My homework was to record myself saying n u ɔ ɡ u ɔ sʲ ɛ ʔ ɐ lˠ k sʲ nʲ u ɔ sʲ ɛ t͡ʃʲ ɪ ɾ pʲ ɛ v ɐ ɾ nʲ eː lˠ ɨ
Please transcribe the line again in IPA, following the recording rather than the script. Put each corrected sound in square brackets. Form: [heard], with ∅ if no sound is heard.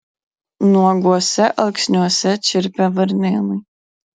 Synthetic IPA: n u ɔ ɡ u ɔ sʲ ɛ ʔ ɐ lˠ k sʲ nʲ u ɔ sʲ ɛ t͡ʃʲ ɪ ɾ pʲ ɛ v ɐ ɾ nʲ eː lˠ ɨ

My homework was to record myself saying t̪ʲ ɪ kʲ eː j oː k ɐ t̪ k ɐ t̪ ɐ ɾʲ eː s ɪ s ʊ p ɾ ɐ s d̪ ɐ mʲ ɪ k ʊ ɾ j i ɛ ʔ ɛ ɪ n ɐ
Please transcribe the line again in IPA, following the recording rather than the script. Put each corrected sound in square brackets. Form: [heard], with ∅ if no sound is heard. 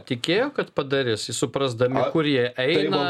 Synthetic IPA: t̪ʲ ɪ kʲ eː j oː k ɐ t̪ [p] ɐ [d̪] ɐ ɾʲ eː s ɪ s ʊ p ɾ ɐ [z] d̪ ɐ mʲ ɪ k ʊ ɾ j i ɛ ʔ ɛ ɪ n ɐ

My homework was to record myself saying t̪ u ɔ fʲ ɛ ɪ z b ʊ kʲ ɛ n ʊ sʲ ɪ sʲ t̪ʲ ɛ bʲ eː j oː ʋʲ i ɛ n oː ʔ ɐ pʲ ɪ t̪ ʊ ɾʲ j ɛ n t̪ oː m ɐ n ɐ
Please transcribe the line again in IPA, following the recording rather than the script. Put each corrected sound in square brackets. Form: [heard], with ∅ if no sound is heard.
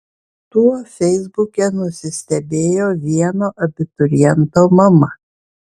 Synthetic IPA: t̪ u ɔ fʲ ɛ ɪ z b ʊ kʲ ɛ n ʊ sʲ ɪ sʲ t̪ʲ ɛ bʲ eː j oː ʋʲ i ɛ n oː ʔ ɐ [bʲ] ɪ t̪ ʊ ɾʲ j ɛ n t̪ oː m ɐ [m] ɐ

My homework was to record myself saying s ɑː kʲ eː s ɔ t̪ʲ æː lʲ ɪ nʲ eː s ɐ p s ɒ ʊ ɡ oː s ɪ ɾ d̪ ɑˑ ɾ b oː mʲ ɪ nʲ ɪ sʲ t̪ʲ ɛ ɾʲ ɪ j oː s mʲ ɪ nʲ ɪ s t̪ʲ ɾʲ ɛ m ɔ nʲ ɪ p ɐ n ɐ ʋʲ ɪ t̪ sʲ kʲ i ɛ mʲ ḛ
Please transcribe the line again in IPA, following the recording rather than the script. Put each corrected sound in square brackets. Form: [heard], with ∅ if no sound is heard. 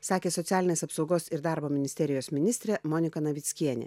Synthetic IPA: s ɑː kʲ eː s ɔ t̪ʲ æː lʲ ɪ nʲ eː s ɐ p s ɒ ʊ ɡ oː s ɪ ɾ d̪ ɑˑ ɾ b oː mʲ ɪ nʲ ɪ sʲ t̪ʲ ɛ ɾʲ ɪ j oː s mʲ ɪ nʲ ɪ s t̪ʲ ɾʲ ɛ m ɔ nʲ ɪ [k] ɐ n ɐ ʋʲ ɪ t̪ sʲ kʲ i ɛ [nʲ] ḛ

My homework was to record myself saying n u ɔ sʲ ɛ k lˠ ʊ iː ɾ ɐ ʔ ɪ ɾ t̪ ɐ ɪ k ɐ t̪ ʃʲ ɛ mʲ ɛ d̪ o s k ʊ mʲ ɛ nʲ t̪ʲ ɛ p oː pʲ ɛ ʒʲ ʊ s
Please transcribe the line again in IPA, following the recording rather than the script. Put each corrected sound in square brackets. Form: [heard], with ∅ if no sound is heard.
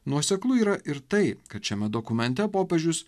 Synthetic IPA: n u ɔ sʲ ɛ k lˠ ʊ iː ɾ ɐ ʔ ɪ ɾ t̪ ɐ ɪ k ɐ t̪ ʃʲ ɛ mʲ ɛ d̪ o [∅] k ʊ mʲ ɛ nʲ t̪ʲ ɛ p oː pʲ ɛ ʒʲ ʊ s

